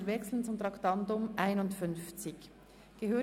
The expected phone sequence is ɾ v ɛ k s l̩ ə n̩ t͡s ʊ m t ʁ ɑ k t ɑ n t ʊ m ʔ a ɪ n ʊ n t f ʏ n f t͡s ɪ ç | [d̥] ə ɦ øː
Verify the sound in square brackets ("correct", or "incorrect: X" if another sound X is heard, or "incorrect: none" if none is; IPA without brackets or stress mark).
incorrect: ɡ̥